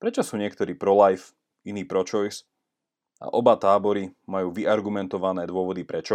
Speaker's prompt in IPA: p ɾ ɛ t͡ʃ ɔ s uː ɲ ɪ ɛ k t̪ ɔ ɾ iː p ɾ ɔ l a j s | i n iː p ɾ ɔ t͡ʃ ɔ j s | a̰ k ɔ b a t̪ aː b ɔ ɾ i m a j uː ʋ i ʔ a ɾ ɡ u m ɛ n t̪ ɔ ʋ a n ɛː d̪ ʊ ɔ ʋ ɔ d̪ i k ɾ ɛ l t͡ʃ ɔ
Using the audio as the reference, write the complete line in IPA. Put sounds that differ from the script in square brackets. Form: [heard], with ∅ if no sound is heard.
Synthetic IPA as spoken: p ɾ ɛ t͡ʃ ɔ s uː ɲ ɪ ɛ k t̪ ɔ ɾ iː p ɾ ɔ l a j [f] | i n iː p ɾ ɔ t͡ʃ ɔ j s | a̰ [ʔ] ɔ b a t̪ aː b ɔ ɾ i m a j uː ʋ i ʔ a ɾ ɡ u m ɛ n t̪ ɔ ʋ a n ɛː d̪ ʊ ɔ ʋ ɔ d̪ i [p] ɾ ɛ [∅] t͡ʃ ɔ